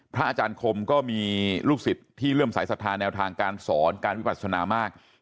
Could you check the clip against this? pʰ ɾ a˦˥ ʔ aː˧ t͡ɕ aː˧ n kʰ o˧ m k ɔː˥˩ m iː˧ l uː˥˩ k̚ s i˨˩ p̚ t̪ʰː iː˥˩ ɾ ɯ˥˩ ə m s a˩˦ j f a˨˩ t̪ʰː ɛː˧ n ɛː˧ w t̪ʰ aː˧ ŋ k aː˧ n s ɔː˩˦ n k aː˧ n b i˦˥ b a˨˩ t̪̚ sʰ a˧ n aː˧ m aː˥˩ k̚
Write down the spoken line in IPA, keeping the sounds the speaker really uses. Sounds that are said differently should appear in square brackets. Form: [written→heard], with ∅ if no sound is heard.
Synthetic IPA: pʰ ɾ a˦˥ ʔ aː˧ t͡ɕ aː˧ n kʰ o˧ m k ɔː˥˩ m iː˧ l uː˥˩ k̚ s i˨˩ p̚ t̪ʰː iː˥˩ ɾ ɯ˥˩ ə m s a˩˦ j [f→s] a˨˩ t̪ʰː [ɛː˧→aː˧] n ɛː˧ w t̪ʰ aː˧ ŋ k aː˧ n s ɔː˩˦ n k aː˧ n [b→w] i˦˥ b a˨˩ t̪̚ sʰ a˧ n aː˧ m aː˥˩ k̚